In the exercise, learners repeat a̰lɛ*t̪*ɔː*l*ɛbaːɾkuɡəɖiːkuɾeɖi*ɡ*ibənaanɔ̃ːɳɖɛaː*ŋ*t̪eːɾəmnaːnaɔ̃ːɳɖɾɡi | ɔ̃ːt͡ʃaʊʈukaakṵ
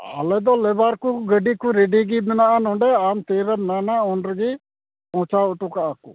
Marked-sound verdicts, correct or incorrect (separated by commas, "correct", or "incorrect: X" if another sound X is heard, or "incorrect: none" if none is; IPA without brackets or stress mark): incorrect: d̪, correct, correct, incorrect: m